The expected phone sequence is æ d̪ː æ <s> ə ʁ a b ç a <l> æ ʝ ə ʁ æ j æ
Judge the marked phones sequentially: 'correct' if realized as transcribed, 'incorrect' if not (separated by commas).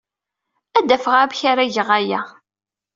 incorrect, incorrect